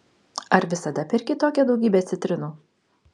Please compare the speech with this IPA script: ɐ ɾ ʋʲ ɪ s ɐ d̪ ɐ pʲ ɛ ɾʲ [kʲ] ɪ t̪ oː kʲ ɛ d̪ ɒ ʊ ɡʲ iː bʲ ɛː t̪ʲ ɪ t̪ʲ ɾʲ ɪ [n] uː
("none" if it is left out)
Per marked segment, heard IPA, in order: kʲ, n

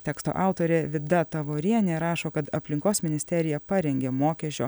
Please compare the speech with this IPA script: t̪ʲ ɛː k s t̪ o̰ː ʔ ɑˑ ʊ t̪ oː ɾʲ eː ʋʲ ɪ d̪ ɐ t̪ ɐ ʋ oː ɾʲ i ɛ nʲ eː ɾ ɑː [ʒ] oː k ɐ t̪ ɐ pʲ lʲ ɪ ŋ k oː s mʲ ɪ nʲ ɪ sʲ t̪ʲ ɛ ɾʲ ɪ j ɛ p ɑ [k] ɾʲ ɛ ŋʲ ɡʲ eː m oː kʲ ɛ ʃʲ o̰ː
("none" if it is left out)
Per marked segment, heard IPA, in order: ʃ, none

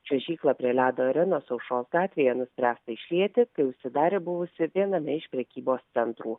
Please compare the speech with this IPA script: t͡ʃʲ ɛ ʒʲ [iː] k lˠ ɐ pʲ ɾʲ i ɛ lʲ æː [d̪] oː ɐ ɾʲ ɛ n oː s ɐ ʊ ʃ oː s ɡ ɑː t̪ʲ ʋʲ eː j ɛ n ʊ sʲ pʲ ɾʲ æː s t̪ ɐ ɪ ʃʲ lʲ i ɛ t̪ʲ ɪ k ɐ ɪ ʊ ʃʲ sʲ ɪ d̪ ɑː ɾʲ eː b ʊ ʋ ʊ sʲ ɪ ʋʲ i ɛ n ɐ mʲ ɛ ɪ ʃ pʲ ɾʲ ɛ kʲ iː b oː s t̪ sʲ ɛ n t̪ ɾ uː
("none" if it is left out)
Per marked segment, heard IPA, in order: iː, d̪

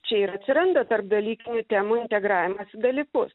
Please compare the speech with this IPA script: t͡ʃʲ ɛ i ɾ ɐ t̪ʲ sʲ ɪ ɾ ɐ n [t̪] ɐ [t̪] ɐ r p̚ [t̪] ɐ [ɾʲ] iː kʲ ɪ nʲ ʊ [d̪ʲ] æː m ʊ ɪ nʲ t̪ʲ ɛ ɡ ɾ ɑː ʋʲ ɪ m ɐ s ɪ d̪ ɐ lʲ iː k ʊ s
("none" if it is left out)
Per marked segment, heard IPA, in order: d̪, t̪, d̪, lʲ, t̪ʲ

